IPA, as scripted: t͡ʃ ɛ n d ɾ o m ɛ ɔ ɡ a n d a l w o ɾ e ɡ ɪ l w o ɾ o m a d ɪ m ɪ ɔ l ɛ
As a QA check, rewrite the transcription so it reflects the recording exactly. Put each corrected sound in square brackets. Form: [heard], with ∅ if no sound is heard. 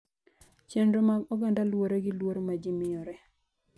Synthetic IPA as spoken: t͡ʃ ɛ n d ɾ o m [a] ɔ ɡ a n d a l w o ɾ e ɡ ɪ l w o ɾ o m a [d͡ʒ] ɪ m ɪ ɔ [ɾ] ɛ

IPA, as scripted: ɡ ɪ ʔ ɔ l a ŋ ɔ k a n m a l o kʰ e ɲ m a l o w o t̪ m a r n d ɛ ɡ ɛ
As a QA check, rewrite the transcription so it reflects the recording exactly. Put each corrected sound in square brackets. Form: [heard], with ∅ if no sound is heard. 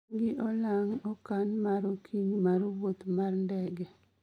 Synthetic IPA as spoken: ɡ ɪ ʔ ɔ l a ŋ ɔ k a n m a [ɾ] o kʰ [i] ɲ m a [ɾ] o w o t̪ m a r n d ɛ ɡ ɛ

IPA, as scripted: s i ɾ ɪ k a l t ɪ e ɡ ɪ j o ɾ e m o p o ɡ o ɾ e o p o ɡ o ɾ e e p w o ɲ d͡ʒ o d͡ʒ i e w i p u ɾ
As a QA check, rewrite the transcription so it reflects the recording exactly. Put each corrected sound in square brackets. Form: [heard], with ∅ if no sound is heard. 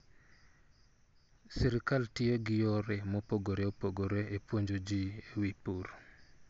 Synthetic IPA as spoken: s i ɾ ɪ k a l t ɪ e ɡ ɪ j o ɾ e m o p o ɡ o ɾ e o p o ɡ o ɾ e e p w o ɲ d͡ʒ o d͡ʒ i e w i p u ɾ

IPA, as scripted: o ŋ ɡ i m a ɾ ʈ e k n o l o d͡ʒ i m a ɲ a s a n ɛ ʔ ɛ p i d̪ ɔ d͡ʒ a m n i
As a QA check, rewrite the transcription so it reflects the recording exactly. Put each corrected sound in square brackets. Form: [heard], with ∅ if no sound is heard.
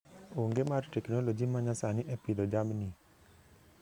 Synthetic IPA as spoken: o ŋ ɡ [e] m a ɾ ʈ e k n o l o d͡ʒ i m a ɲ a s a n [i] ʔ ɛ p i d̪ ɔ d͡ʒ a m n i

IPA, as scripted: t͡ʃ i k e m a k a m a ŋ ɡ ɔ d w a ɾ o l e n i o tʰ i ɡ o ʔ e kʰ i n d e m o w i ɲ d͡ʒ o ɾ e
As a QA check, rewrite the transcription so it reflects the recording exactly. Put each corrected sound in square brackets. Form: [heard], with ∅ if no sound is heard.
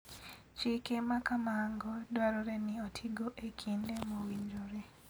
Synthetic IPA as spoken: t͡ʃ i k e m a k a m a ŋ ɡ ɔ d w a ɾ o [ɾ] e n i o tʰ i ɡ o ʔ e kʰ i n d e m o w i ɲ d͡ʒ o ɾ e

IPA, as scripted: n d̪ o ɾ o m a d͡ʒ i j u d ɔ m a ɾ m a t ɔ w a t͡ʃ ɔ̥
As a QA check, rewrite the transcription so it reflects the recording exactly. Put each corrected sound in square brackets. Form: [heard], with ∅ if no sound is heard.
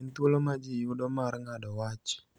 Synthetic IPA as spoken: n [t̪] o [l] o m a d͡ʒ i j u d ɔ m a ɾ [ŋ] a [d] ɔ w a t͡ʃ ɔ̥

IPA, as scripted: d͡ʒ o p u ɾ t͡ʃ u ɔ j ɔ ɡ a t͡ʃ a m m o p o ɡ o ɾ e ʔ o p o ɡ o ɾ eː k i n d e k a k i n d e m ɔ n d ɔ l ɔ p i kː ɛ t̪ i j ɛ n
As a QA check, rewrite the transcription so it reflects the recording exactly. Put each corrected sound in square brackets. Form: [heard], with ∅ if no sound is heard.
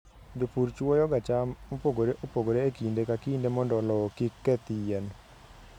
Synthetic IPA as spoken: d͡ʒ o p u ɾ t͡ʃ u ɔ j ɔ ɡ a t͡ʃ a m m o p o ɡ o ɾ e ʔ o p o ɡ o ɾ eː k i n d e k a k i n d e m ɔ n d ɔ l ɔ [k] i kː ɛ t̪ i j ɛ n

